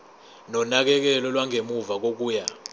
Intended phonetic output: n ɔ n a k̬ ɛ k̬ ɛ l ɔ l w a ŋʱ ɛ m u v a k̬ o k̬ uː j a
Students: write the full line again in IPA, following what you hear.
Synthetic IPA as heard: n ɔ n a k̬ ɛ k̬ ɛ l ɔ l w a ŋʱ e m u v a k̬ o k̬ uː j a